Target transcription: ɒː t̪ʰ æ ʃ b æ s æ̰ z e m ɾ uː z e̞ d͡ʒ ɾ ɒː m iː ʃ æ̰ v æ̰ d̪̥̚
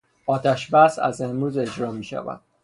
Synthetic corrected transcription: ɒː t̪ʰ æ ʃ b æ s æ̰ z e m ɾ uː z e̞ d͡ʒ ɾ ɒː m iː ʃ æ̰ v æ̰ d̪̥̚

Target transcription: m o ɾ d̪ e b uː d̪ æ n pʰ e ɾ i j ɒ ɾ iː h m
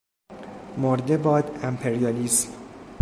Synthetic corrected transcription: m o ɾ d̪ e b ɒː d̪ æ m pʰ e ɾ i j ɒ l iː s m

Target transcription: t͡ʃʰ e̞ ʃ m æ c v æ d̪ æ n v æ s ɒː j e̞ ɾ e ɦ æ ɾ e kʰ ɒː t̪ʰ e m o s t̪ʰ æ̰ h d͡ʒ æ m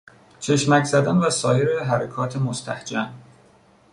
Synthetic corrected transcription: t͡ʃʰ e̞ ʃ m æ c z æ d̪ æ n v æ s ɒː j e̞ ɾ e ɦ æ ɾ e kʰ ɒː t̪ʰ e m o s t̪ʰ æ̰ h d͡ʒ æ m

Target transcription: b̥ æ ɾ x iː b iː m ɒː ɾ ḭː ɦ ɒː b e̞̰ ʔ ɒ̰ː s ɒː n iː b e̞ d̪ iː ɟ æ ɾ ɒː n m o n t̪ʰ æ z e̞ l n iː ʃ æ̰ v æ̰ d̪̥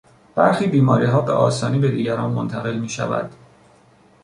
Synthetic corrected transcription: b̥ æ ɾ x iː b iː m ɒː ɾ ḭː ɦ ɒː b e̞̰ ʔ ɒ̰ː s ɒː n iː b e̞ d̪ iː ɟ æ ɾ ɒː n m o n t̪ʰ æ ɣ e̞ l m iː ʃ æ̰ v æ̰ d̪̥

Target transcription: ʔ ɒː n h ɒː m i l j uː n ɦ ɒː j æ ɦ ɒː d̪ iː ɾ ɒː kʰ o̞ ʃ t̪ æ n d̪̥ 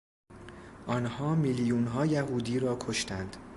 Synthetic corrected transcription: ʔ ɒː n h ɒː m i l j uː n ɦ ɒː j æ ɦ uː d̪ iː ɾ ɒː kʰ o̞ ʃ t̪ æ n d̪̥

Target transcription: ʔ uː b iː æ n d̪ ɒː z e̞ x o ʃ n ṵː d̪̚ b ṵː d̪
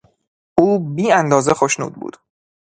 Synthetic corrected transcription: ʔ uː b iː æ n d̪ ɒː z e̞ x o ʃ n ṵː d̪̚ b ṵː d̪

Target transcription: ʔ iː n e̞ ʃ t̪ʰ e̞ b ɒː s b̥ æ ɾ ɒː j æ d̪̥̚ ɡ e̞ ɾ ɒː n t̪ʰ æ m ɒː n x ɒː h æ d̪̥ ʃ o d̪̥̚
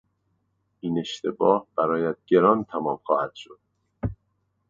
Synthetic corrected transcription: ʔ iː n e̞ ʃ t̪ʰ e̞ b ɒː h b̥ æ ɾ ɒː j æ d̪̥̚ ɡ e̞ ɾ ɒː n t̪ʰ æ m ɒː m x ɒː h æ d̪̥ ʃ o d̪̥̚

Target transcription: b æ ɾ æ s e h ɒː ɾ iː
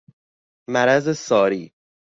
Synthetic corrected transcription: m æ ɾ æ z e s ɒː ɾ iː

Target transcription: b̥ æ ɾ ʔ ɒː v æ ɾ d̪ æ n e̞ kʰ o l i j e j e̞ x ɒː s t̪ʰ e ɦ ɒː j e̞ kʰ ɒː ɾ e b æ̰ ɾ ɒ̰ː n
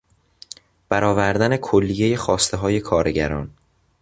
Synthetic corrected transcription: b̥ æ ɾ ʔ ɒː v æ ɾ d̪ æ n e̞ kʰ o lː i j e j e̞ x ɒː s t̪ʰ e ɦ ɒː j e̞ kʰ ɒː ɾ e ɟ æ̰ ɾ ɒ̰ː n

